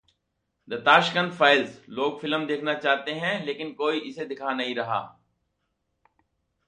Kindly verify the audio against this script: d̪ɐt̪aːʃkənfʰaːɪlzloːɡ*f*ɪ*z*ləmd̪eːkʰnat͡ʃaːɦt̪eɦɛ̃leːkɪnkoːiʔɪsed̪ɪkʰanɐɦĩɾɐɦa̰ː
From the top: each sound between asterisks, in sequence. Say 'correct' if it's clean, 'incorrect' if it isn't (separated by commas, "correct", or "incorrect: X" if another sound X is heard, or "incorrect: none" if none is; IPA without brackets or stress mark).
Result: correct, incorrect: none